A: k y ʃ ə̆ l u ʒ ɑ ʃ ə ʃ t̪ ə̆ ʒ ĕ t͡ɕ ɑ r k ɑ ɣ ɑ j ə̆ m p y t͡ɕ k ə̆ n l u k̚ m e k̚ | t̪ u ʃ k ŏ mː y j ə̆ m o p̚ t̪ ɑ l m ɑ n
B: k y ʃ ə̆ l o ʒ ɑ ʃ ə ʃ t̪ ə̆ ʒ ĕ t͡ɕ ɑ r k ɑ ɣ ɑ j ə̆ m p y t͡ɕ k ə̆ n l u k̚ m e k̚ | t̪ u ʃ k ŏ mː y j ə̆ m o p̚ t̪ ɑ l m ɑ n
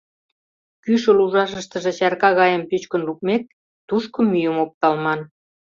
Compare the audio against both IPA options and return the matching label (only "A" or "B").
A